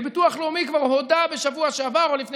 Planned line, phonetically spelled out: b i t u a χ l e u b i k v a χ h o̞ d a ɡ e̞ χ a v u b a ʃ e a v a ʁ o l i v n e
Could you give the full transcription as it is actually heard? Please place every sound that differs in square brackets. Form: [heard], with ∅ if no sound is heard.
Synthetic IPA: b i t u a χ l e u [m] i k v a [ʁ] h o̞ d a [b] e̞ [ʃ] a v u [∅] a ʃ e a v a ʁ o l i [f] n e